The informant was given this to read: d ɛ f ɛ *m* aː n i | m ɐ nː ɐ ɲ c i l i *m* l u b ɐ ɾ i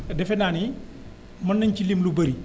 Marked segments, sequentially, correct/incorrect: incorrect, correct

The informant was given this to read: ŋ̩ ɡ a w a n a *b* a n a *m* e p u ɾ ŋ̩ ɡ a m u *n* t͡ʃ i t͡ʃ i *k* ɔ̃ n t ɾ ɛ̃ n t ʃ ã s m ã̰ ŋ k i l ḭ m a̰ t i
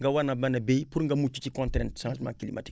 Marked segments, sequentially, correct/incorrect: correct, incorrect, incorrect, correct

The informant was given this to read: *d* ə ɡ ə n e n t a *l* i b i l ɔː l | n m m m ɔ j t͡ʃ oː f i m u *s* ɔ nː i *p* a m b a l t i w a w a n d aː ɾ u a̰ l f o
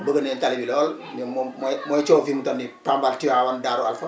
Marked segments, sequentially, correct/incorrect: incorrect, correct, incorrect, correct

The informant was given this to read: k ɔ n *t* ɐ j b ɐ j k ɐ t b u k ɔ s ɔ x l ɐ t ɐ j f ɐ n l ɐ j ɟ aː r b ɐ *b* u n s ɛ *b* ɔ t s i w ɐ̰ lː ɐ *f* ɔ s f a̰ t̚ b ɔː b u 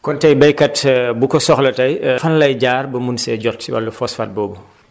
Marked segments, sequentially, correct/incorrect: correct, incorrect, incorrect, correct

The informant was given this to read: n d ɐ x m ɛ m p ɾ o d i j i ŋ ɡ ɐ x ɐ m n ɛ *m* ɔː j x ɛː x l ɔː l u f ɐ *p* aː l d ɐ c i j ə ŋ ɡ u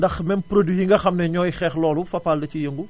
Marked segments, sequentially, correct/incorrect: incorrect, correct

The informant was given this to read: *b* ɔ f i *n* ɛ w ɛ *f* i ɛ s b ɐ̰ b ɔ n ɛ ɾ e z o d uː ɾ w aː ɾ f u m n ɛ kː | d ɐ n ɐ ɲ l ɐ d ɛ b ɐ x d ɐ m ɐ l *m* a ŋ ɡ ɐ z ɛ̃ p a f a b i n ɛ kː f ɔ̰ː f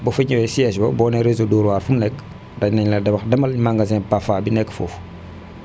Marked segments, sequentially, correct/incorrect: correct, incorrect, incorrect, correct

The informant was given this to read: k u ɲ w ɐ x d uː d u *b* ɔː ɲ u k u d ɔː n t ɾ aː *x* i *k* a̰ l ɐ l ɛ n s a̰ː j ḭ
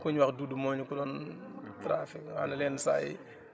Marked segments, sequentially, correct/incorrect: incorrect, incorrect, correct

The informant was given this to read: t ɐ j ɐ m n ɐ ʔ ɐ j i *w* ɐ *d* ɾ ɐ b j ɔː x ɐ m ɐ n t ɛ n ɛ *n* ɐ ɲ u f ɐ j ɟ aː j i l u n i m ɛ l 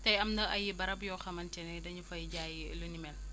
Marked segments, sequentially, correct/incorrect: incorrect, incorrect, incorrect

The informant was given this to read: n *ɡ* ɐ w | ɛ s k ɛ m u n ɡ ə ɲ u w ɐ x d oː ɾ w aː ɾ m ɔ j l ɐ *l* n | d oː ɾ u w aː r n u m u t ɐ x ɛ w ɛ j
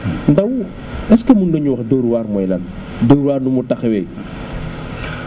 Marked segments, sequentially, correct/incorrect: incorrect, incorrect

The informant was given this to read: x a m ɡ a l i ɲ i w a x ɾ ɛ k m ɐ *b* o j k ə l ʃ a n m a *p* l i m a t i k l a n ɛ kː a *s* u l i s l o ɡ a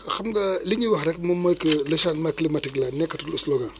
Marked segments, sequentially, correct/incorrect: incorrect, incorrect, incorrect

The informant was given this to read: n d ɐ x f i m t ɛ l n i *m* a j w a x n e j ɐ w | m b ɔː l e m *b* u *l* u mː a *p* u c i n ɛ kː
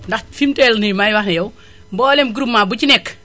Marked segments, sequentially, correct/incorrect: correct, incorrect, incorrect, incorrect

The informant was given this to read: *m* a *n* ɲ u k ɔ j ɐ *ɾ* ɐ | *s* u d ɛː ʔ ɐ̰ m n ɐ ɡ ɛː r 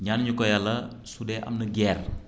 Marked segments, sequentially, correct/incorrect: incorrect, correct, incorrect, correct

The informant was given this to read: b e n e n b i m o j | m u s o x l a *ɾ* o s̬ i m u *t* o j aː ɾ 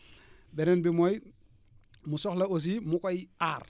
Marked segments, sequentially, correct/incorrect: incorrect, incorrect

